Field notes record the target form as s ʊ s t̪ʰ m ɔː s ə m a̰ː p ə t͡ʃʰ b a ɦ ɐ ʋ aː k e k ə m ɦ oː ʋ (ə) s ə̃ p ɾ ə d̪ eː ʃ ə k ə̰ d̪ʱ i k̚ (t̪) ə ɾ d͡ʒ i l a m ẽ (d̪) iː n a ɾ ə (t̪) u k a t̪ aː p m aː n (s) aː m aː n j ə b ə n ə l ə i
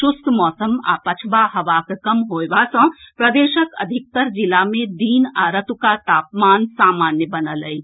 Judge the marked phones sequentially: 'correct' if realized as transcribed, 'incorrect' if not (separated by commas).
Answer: incorrect, correct, correct, correct, correct